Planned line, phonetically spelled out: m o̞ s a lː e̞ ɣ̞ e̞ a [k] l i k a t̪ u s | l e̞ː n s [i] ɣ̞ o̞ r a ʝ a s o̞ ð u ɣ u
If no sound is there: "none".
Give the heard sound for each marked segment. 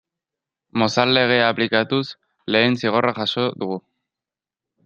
p, i

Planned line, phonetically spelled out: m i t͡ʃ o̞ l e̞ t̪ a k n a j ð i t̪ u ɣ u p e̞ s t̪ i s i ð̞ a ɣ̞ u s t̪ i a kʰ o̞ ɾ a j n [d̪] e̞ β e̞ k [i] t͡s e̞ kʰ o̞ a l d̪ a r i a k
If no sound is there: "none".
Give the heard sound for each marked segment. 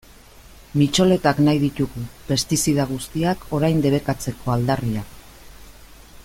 d̪, a

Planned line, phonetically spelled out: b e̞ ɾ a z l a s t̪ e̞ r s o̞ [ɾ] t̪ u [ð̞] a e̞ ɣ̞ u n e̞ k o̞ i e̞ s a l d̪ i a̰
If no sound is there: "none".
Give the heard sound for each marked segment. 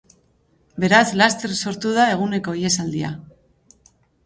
ɾ, ð̞

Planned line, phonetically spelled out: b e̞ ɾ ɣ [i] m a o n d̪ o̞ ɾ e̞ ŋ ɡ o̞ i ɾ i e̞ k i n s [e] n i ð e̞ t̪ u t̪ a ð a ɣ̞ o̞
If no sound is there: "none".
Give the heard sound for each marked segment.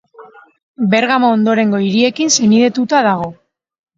a, e

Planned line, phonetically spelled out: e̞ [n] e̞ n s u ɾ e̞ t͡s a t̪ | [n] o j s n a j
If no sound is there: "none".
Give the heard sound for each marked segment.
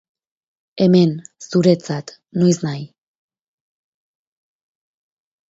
m, n

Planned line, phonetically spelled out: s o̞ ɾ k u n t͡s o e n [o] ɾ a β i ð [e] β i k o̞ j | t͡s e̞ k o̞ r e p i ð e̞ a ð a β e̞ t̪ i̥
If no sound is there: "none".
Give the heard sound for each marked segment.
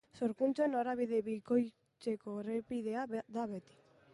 o, e

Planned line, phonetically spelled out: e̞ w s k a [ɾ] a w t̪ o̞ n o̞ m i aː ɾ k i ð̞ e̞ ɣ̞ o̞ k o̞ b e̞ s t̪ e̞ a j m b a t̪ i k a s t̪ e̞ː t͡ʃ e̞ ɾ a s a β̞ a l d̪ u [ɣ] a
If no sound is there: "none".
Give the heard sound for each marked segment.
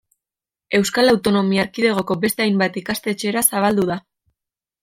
l, ð

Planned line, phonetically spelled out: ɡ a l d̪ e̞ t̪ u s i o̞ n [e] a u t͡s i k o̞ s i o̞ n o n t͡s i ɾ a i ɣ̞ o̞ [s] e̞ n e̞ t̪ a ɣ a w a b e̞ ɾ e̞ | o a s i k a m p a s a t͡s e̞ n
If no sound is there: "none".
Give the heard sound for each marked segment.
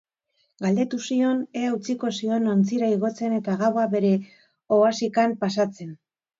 e, t͡s

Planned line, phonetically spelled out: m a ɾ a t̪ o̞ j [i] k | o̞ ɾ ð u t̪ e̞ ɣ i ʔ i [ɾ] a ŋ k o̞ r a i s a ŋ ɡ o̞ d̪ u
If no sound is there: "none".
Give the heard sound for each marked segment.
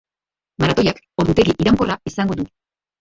a, ɾ

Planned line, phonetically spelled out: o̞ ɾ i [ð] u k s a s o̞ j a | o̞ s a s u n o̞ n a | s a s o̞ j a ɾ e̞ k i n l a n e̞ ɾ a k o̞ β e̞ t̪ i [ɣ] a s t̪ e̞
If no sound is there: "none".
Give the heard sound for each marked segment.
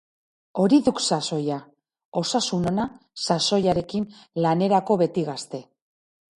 ð, ɣ

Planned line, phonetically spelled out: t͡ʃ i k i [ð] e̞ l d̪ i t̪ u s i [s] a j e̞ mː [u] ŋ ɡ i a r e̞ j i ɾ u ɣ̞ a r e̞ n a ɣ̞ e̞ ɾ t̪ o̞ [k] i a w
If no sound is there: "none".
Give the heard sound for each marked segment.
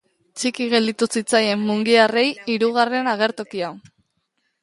ɣ, t͡s, u, k

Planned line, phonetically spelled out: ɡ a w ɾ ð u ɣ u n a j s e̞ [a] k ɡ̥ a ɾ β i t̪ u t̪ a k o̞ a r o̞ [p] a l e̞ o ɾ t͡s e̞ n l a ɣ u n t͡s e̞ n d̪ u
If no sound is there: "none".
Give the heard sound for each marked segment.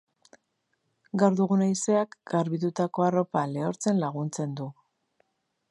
a, p

